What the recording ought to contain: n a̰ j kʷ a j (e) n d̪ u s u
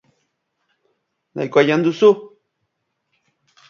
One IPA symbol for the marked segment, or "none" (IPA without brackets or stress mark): a